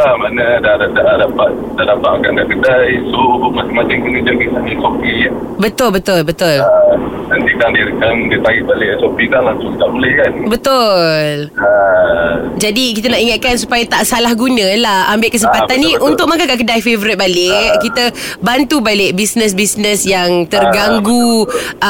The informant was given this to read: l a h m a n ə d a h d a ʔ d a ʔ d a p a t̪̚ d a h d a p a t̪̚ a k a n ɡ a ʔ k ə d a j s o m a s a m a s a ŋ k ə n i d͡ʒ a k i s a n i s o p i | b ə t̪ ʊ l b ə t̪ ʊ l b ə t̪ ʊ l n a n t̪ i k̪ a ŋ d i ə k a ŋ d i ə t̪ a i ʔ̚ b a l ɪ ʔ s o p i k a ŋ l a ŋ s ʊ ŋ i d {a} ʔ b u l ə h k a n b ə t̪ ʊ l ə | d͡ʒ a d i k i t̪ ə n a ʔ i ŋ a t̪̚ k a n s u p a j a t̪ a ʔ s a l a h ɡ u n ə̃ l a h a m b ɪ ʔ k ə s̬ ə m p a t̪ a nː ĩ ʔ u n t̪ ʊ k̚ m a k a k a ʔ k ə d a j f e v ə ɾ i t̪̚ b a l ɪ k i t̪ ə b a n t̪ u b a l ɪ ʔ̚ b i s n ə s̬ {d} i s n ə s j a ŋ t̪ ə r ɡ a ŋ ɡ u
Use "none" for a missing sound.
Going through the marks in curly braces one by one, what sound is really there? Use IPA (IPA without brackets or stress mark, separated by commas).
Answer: a, b